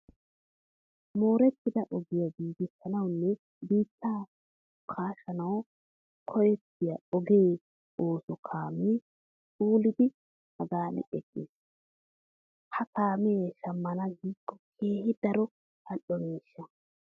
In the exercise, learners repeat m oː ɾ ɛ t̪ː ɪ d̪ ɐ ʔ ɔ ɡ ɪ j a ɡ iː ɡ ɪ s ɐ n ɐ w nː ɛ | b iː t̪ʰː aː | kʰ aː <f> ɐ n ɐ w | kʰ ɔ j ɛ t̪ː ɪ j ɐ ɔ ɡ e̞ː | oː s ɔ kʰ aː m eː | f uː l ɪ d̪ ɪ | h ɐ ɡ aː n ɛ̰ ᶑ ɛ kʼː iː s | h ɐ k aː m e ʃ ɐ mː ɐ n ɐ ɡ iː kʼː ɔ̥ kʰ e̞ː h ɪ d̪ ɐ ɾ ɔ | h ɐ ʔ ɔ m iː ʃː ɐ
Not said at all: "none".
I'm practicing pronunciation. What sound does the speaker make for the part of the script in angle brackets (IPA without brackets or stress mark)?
ʃ